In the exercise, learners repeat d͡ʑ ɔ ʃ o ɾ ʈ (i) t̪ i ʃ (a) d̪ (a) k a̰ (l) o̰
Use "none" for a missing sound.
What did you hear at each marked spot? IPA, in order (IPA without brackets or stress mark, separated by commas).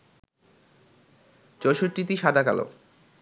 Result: i, a, a, l